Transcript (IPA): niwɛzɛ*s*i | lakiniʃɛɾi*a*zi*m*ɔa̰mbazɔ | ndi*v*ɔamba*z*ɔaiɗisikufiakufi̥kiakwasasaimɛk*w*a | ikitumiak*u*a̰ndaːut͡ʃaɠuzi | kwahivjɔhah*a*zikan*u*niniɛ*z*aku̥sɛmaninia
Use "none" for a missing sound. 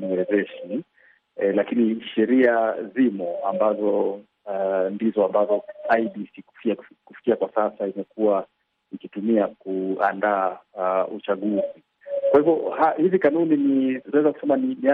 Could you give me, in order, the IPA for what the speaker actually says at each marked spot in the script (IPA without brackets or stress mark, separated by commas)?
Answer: ʃ, a, m, z, z, u, u, i, u, z